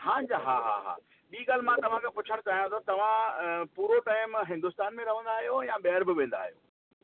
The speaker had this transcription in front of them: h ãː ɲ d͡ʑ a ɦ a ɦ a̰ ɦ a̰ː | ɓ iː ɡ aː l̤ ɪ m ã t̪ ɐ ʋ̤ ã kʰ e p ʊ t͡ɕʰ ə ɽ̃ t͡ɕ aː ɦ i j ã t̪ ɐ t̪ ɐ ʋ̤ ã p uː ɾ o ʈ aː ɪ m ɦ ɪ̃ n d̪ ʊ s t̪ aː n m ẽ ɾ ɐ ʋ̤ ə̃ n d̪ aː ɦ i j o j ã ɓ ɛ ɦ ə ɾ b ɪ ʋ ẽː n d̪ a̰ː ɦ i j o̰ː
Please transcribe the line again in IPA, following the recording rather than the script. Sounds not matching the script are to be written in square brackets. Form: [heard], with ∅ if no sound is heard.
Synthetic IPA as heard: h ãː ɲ d͡ʑ a ɦ a ɦ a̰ ɦ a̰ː | ɓ iː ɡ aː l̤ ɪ m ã t̪ ɐ ʋ̤ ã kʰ e p ʊ t͡ɕʰ ə ɽ̃ t͡ɕ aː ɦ i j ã t̪ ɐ t̪ ɐ ʋ̤ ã p uː ɾ o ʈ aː ɪ m ɦ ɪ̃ n d̪ ʊ s t̪ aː n m ẽ ɾ ɐ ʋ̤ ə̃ n d̪ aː ɦ i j o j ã ɓ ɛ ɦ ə ɾ b ɪ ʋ ẽː n d̪ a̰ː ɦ i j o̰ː

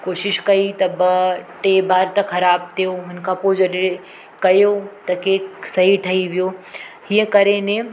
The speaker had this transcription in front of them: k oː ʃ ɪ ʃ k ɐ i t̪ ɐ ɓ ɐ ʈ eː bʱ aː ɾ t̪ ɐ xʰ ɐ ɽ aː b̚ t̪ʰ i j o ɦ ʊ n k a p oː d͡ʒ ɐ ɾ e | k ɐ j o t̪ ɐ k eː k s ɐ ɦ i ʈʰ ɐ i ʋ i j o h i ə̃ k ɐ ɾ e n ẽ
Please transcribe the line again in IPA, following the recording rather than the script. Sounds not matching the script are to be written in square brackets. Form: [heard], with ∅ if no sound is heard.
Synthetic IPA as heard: k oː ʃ ɪ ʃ k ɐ i t̪ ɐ [b] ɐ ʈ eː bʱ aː ɾ t̪ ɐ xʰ ɐ [ɾ] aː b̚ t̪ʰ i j o ɦ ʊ n k a p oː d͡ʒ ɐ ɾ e | k ɐ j o t̪ ɐ k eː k s ɐ ɦ i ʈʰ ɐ i ʋ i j o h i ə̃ k ɐ ɾ e n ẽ

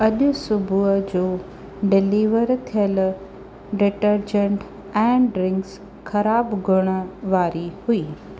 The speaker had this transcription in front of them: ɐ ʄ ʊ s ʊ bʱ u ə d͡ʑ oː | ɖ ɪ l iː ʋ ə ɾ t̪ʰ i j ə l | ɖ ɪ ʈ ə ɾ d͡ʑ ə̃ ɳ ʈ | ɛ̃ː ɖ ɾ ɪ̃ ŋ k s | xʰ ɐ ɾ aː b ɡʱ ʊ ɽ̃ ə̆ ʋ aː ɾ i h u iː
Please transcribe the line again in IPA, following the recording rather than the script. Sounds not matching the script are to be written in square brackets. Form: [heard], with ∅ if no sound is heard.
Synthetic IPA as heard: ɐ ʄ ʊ s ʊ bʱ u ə d͡ʑ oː | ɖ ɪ l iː ʋ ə ɾ t̪ʰ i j ə l | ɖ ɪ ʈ ə ɾ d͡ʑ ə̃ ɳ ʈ | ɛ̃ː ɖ ɾ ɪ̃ ŋ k s | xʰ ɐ ɾ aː b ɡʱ ʊ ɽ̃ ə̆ ʋ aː ɾ i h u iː

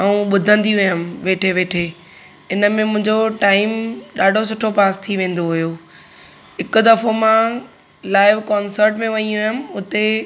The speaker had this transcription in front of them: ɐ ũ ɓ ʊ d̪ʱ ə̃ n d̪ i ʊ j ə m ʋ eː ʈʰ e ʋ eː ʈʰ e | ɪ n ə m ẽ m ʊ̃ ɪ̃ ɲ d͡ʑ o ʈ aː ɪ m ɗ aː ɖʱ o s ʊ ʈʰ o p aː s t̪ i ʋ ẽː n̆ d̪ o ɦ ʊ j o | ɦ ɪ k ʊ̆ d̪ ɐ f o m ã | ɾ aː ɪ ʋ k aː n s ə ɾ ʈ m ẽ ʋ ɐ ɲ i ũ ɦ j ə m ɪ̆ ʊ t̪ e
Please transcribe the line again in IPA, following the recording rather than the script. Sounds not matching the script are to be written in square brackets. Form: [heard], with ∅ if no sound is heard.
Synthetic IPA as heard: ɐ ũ ɓ ʊ d̪ʱ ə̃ n d̪ i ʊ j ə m ʋ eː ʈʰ e ʋ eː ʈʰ e | ɪ n ə m ẽ m ʊ̃ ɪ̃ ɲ d͡ʑ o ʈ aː ɪ m ɗ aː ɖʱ o s ʊ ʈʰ o p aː s [t̪ʰ] i ʋ ẽː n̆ d̪ o ɦ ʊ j o | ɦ ɪ k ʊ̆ d̪ ɐ f o m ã | [l] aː ɪ ʋ k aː n s ə ɾ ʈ m ẽ ʋ ɐ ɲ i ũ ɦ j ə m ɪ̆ ʊ t̪ e

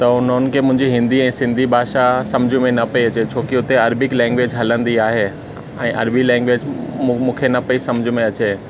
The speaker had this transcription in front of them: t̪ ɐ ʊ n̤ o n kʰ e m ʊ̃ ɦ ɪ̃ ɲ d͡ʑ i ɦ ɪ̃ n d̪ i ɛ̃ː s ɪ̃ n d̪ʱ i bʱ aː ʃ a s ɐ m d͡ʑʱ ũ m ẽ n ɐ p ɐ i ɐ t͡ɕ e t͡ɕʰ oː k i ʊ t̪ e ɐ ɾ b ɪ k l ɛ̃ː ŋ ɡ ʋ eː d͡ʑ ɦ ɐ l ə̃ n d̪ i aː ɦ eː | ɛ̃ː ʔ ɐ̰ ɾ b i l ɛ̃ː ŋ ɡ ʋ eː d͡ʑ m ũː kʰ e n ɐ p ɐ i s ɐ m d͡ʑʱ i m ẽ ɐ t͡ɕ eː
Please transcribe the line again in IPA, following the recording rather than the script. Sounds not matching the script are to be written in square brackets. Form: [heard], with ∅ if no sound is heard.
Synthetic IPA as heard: t̪ ɐ ʊ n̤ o n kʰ e m ʊ̃ ɦ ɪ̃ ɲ d͡ʑ i ɦ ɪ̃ n d̪ i ɛ̃ː s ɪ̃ n d̪ʱ i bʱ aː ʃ a s ɐ m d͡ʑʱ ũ m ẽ n ɐ p ɐ i ɐ t͡ɕ e t͡ɕʰ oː k i ʊ t̪ e ɐ ɾ b ɪ k l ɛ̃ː ŋ ɡ ʋ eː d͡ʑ ɦ ɐ l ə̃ n d̪ i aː ɦ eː | ɛ̃ː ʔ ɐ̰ ɾ b i l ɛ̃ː ŋ ɡ ʋ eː d͡ʑ m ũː kʰ e n ɐ p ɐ i s ɐ m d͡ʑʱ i m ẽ ɐ t͡ɕ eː

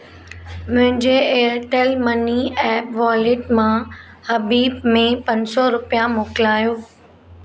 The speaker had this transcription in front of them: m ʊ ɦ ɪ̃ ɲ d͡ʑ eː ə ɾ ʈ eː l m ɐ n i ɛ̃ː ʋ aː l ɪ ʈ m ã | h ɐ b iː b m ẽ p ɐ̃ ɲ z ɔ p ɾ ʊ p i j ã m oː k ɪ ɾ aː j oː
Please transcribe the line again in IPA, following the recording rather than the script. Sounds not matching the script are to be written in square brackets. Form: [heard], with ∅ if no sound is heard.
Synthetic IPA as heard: m [ʊ̃] ɦ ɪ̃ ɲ d͡ʑ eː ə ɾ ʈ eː l m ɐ n i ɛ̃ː ʋ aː l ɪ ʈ m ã | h ɐ b iː b m ẽ p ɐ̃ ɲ [s] ɔ [∅] ɾ ʊ p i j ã m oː k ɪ [l] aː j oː

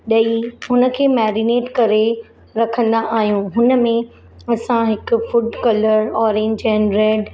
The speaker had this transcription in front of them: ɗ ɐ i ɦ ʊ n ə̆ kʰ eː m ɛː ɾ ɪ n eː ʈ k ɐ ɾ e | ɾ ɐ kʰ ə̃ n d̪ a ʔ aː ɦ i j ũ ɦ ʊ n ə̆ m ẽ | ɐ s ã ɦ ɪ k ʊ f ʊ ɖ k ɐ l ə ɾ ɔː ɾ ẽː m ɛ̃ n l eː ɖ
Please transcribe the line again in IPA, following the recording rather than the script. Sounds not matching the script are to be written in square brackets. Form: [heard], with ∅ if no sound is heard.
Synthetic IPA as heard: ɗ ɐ i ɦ ʊ n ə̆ kʰ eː m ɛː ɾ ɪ n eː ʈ k ɐ ɾ e | ɾ ɐ kʰ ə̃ n d̪ a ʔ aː ɦ i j ũ ɦ ʊ n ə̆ m ẽ | ɐ s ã ɦ ɪ k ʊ f ʊ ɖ k ɐ l ə ɾ ɔː ɾ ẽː [ɲ] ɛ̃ n [ɾ] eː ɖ

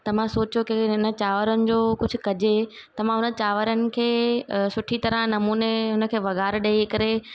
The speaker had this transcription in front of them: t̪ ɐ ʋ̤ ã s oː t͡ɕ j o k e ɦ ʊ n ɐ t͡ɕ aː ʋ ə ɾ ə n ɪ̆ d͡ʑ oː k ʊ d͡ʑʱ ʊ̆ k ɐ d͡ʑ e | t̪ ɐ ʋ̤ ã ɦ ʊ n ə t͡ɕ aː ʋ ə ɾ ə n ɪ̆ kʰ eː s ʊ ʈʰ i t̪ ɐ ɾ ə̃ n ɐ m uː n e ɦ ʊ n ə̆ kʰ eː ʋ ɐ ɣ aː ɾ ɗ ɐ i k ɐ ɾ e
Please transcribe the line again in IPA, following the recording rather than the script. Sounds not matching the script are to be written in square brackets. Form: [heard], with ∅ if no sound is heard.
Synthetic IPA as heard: t̪ ɐ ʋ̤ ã s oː t͡ɕ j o k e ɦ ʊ n [ə] t͡ɕ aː ʋ ə ɾ ə n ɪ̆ d͡ʑ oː k ʊ d͡ʑʱ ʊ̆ k ɐ d͡ʑ e | t̪ ɐ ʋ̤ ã ɦ ʊ n ə t͡ɕ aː ʋ ə ɾ ə n ɪ̆ kʰ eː s ʊ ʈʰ i t̪ ɐ ɾ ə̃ n ɐ m uː n e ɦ ʊ n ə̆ kʰ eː ʋ ɐ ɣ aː ɾ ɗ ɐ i k ɐ ɾ e

